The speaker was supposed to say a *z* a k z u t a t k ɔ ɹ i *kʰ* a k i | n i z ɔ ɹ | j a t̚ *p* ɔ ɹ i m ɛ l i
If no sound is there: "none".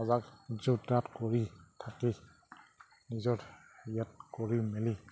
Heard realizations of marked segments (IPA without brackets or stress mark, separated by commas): z, tʰ, k